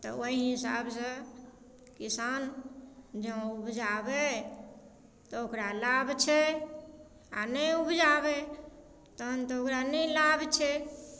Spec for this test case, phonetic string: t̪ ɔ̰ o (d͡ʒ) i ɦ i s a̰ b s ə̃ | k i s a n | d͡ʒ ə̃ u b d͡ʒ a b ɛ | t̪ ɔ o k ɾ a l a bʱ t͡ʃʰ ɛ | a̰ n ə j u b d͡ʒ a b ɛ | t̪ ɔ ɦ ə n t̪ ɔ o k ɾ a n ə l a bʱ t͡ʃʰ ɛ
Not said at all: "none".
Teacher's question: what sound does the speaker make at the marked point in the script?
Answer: none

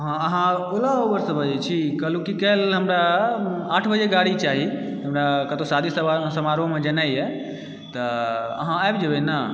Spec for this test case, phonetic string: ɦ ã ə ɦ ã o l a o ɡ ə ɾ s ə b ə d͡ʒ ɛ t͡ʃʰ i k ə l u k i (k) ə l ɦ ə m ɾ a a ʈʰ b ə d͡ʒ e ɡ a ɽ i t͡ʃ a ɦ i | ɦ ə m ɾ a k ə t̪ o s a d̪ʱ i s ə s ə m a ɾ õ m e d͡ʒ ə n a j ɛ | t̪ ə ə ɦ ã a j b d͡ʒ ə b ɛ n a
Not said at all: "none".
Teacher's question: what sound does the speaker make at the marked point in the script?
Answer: k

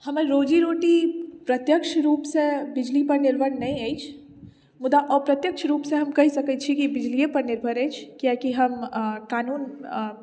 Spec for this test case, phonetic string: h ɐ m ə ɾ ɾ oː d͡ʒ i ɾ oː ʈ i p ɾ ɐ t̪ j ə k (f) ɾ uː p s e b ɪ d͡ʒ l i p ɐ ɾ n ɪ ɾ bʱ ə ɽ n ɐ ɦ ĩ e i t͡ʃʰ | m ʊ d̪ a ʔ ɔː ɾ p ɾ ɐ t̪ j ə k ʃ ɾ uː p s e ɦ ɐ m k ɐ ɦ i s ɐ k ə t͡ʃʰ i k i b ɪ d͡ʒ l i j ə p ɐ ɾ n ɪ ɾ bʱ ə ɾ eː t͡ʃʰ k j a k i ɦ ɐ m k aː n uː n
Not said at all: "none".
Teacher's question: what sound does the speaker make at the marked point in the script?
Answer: ʃ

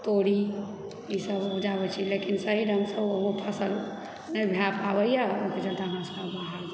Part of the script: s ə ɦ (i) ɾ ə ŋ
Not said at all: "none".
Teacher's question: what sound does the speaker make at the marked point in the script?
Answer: i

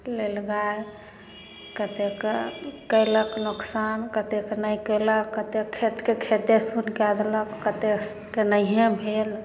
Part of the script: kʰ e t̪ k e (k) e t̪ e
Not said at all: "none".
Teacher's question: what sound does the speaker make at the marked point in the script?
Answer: kʰ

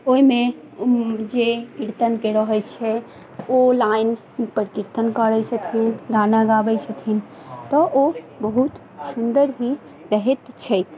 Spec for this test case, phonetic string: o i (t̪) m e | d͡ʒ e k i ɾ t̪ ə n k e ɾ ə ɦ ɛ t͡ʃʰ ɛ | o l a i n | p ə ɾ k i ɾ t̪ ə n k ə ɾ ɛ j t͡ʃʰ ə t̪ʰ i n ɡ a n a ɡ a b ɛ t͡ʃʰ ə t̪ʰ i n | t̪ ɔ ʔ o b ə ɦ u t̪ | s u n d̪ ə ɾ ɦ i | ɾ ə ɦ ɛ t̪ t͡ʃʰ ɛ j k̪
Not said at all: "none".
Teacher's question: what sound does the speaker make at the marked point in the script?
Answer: none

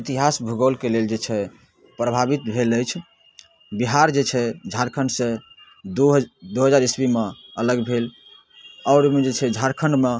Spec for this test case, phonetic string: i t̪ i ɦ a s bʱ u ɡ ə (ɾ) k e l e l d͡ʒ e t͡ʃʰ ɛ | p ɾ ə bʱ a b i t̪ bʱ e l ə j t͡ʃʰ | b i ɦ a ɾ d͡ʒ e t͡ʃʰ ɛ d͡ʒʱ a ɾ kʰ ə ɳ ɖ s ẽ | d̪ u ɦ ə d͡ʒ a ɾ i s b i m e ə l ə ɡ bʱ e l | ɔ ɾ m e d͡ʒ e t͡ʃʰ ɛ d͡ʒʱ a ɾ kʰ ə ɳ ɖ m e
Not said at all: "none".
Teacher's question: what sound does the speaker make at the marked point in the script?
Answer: l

